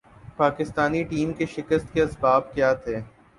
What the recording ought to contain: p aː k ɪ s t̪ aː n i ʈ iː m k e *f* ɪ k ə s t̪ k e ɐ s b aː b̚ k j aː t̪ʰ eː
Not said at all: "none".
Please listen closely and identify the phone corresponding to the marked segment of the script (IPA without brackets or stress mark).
ʃ